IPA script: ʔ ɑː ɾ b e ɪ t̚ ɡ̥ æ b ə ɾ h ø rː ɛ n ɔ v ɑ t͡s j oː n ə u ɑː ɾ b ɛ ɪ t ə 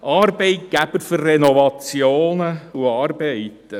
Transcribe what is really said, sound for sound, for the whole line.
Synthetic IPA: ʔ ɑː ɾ b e ɪ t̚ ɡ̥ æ b ə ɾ f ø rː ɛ n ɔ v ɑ t͡s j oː n ə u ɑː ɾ b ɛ ɪ t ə

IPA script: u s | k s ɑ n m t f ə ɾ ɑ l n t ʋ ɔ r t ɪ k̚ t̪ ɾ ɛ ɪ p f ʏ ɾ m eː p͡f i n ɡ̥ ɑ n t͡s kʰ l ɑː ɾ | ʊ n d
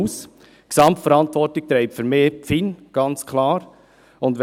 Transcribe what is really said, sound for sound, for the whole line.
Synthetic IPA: u s | k s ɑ m t f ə ɾ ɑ n t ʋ ɔ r t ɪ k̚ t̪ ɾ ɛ ɪ p f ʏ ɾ m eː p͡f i n ɡ̥ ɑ n t͡s kʰ l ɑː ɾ | ʊ n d

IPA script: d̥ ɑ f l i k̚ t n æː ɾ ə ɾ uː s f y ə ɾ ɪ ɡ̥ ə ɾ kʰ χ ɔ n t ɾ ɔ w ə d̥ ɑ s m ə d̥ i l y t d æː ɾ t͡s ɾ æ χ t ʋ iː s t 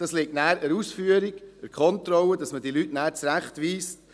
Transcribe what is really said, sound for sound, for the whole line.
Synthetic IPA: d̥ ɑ s l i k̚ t n æː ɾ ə ɾ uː s f y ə ɾ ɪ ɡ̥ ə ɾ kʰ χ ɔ n t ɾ ɔ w ə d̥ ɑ s m ə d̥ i l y t n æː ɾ t͡s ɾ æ χ t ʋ iː s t

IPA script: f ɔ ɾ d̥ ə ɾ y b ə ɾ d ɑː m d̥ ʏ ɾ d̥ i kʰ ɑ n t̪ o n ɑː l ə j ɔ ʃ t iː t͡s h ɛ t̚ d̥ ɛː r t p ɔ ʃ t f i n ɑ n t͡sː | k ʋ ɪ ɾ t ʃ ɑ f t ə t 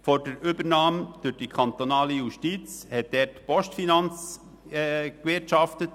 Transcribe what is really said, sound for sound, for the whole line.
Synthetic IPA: f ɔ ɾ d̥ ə ɾ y b ə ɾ n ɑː m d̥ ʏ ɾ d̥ i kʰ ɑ n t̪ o n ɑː l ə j u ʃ t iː t͡s h ɛ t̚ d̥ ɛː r t p ɔ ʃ t f i n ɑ n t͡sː | k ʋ ɪ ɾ t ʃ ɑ f t ə t

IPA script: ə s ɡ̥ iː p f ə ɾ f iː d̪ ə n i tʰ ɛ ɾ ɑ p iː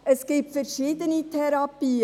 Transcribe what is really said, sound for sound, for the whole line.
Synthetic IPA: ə s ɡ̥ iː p f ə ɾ ʃ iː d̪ ə n i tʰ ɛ ɾ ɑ p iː

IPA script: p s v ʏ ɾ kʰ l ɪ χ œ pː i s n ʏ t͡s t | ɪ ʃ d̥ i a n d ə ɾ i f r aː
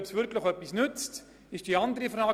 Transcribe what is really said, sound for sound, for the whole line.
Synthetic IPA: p s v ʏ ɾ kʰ l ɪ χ œ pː i s n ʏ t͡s t | ɪ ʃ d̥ i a n d ə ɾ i f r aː

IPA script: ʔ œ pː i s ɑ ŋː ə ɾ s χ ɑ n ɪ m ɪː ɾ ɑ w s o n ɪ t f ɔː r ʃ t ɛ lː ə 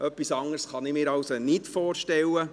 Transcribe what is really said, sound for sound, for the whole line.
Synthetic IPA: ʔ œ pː i s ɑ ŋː ə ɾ s χ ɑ n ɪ m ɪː ɾ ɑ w s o n ɪ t f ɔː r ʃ t ɛ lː ə

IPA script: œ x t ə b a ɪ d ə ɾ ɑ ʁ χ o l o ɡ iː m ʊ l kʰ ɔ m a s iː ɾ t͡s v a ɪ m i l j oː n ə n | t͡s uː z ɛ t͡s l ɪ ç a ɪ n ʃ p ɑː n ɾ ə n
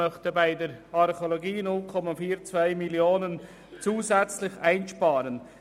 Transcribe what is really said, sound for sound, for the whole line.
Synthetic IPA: œ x t ə b a ɪ d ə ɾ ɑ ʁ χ o l o ɡ iː n ʊ l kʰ ɔ m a f iː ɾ t͡s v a ɪ m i l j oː n ə n | t͡s uː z ɛ t͡s l ɪ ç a ɪ n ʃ p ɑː ɾ ə n

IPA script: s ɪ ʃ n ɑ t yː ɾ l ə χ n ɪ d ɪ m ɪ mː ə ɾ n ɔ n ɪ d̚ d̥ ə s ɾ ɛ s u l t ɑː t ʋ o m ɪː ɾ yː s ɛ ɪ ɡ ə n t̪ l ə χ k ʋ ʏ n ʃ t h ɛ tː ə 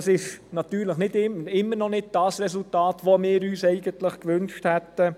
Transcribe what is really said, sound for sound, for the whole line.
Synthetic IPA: s ɪ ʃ n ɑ t yː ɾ l ə χ n ɪ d ɪ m ɪ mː ə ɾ n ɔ n ɪ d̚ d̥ ɑ s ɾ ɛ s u l t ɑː t ʋ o m ɪː ɾ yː s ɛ ɪ ɡ ə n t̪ l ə χ k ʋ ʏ n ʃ t h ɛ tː ə

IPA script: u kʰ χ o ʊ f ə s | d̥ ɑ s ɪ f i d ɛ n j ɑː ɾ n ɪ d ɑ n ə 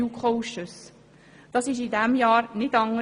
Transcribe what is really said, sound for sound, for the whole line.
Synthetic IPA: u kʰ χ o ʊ ʃ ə s | d̥ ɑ s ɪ ʃ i d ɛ m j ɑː ɾ n ɪ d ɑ ŋ ə

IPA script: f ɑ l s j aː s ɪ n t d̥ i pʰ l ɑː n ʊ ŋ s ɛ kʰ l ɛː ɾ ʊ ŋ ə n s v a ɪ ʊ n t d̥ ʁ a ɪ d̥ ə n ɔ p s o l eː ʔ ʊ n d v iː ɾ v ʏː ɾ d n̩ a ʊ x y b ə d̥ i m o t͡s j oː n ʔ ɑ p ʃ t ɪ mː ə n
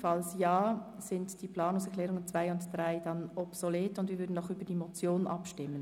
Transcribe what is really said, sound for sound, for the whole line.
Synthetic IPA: f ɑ l s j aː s ɪ n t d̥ i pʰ l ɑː n ʊ ŋ s ɛ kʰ l ɛː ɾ ʊ ŋ ə n t͡s v a ɪ ʊ n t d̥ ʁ a ɪ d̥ ɑ n ɔ p s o l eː t ʊ n d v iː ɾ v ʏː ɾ d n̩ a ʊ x y b ə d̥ i m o t͡s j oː n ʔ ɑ p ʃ t ɪ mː ə n

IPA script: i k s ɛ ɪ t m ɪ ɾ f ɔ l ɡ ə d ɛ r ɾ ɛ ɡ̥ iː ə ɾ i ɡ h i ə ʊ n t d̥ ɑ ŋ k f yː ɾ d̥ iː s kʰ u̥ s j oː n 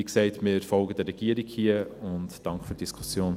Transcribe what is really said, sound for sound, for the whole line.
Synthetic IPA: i k s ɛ ɪ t m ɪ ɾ f ɔ l ɡ ə d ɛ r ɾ ɛ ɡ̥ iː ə ɾ i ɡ h i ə ʊ n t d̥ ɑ ŋ k f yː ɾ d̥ i s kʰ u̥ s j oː n

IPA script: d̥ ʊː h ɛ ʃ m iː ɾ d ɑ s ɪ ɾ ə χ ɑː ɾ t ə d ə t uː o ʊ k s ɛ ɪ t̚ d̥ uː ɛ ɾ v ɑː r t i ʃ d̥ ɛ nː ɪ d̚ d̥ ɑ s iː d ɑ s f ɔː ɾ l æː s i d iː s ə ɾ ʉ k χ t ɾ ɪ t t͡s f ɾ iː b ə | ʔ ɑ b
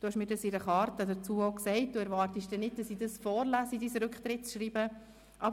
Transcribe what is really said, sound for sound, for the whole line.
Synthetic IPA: d̥ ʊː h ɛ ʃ m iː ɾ d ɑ s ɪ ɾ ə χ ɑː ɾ t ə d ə t͡s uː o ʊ k s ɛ ɪ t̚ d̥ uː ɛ ɾ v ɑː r t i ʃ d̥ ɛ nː ɪ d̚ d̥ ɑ s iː d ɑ s f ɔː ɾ l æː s i d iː s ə ɾ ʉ k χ t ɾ ɪ t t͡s ʃ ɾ iː b ə | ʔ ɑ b

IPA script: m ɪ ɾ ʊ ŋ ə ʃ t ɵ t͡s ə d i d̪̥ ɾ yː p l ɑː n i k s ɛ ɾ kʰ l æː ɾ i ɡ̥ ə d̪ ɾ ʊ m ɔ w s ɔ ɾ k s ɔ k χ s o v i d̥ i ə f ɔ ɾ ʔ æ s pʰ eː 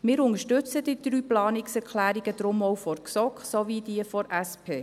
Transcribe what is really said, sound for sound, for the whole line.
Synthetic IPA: m ɪː ɾ ʊ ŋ ə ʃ t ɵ t͡s ə d i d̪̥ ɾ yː p l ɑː n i k s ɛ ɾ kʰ l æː ɾ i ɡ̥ ə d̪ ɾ ʊ m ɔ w f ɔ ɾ k s ɔ k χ s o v i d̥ i ə f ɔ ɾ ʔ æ s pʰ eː

